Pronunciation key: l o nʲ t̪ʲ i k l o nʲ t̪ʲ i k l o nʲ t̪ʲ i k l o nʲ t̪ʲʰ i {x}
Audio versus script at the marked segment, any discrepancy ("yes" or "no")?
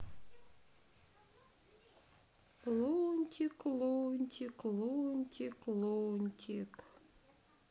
yes